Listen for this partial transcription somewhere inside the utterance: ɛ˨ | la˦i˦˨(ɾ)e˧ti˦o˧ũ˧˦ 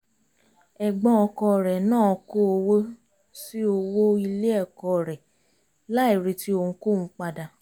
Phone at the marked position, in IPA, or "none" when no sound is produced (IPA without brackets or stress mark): ɾ